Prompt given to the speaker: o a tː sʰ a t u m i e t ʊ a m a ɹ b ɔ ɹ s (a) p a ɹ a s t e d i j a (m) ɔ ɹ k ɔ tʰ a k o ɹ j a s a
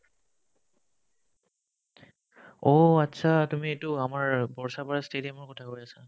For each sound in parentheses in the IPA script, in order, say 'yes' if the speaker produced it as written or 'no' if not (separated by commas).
yes, yes